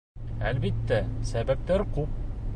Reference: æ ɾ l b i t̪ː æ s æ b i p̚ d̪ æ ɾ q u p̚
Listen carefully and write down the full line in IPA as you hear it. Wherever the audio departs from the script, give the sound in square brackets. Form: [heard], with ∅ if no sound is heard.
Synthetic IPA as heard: æ [∅] l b i t̪ː æ s æ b [æ] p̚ [t̪] æ ɾ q u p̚